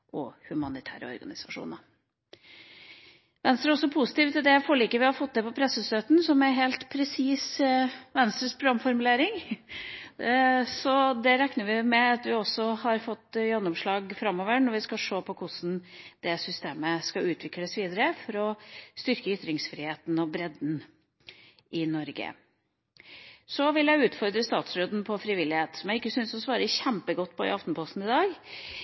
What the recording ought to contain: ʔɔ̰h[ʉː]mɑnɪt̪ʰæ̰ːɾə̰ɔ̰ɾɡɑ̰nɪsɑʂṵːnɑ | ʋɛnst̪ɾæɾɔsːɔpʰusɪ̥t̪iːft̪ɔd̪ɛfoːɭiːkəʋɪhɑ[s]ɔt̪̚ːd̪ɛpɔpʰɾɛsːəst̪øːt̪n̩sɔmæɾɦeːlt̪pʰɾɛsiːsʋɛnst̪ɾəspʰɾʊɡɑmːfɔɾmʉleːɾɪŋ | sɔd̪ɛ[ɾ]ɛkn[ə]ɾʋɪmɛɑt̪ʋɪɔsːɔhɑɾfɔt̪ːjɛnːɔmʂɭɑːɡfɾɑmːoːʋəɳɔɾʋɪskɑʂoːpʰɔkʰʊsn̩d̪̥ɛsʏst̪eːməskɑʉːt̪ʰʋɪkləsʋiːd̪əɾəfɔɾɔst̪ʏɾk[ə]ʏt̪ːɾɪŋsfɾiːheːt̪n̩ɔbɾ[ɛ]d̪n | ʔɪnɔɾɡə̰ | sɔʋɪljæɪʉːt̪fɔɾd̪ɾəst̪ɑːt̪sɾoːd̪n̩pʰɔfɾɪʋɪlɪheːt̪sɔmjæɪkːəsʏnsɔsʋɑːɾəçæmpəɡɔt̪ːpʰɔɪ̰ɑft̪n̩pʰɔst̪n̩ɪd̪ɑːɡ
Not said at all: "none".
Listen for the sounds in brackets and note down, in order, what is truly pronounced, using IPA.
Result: ʉ, f, ɾ, ə, ə, ɛ

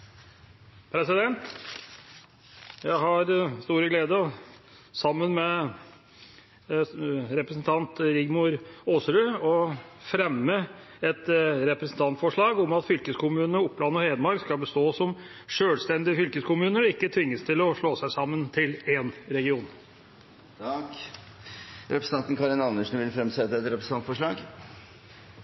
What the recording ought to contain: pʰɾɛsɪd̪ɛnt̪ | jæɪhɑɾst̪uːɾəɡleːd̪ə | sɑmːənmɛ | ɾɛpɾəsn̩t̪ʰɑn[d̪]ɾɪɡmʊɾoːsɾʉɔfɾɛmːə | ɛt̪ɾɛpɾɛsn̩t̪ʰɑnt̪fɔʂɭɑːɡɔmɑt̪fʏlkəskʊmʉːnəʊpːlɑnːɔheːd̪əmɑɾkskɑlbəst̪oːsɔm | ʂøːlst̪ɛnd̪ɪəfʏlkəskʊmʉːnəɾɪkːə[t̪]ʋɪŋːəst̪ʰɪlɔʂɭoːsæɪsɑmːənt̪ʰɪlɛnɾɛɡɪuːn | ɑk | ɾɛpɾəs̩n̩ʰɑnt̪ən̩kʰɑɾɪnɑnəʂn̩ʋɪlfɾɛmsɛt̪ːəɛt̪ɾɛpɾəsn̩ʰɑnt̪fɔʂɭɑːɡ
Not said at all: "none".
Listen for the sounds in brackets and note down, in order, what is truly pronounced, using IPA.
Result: t̪, t̪ʰ

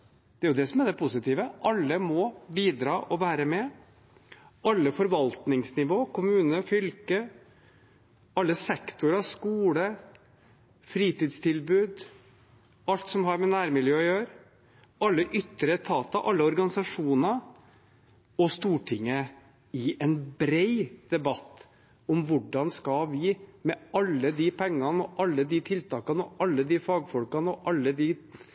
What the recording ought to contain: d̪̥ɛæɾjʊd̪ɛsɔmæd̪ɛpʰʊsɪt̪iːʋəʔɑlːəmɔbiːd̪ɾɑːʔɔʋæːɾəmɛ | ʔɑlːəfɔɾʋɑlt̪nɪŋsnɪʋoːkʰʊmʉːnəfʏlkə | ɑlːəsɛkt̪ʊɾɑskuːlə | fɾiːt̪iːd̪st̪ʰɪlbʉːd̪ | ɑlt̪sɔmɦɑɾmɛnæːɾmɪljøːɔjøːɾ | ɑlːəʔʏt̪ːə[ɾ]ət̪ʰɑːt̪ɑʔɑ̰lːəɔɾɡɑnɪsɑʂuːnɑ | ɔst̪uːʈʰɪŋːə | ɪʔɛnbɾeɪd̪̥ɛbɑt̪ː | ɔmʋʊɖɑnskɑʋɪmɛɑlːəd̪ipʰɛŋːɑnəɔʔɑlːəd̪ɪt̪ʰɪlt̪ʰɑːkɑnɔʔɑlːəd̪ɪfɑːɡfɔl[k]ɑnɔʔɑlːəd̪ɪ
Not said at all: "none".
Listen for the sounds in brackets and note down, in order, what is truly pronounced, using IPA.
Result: ɾ, k

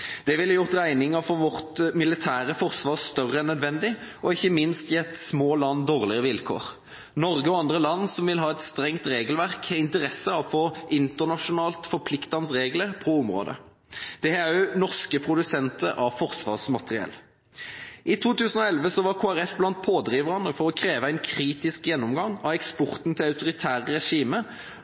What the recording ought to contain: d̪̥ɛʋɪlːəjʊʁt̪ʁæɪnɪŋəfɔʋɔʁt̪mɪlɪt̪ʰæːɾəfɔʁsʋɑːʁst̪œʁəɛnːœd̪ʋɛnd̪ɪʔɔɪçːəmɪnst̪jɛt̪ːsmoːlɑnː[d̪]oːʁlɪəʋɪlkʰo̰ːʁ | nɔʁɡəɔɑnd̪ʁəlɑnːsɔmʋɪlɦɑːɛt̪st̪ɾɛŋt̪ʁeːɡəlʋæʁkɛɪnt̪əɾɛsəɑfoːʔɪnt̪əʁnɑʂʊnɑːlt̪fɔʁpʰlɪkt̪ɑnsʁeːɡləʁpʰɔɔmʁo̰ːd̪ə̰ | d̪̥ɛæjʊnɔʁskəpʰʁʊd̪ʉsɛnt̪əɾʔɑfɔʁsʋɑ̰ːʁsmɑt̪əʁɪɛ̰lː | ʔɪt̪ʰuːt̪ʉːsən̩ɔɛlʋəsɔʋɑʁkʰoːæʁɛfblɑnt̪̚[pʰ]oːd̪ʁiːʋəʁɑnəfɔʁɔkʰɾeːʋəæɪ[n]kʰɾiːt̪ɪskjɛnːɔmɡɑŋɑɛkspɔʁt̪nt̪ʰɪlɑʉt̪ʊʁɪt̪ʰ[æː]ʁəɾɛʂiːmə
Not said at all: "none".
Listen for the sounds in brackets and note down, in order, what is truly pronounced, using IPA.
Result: d̪, pʰ, n, æː

